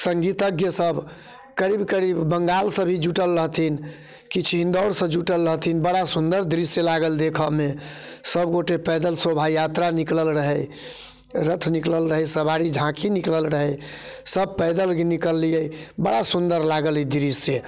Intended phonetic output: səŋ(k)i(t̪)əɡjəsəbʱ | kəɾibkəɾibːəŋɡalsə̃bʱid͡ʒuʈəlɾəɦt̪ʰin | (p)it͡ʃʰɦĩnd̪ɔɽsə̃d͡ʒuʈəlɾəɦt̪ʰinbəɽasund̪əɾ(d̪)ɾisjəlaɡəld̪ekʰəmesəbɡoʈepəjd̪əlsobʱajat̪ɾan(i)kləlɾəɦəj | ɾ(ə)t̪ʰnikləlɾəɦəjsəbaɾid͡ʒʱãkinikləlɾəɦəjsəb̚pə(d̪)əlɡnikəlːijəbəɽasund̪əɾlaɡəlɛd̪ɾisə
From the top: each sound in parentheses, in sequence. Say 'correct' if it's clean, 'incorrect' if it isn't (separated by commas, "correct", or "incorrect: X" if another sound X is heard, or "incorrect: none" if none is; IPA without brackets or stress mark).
incorrect: ɡ, correct, incorrect: k, correct, correct, correct, correct